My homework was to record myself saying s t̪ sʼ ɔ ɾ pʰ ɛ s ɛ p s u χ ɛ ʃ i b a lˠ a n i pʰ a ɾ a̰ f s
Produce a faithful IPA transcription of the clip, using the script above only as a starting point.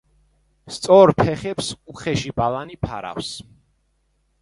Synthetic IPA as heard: s t̪ sʼ ɔ ɾ pʰ ɛ χ ɛ p s u χ ɛ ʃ i b a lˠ a n i pʰ a ɾ a̰ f s